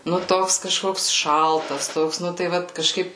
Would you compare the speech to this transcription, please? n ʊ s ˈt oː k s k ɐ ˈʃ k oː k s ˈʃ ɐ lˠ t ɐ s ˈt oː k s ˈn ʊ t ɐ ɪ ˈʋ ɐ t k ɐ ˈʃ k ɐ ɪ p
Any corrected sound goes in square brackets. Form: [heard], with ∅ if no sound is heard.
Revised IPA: n ʊ [∅] ˈt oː k s k ɐ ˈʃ k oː k s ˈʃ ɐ lˠ t ɐ s ˈt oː k s ˈn ʊ t ɐ ɪ ˈʋ ɐ t k ɐ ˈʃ k ɐ ɪ p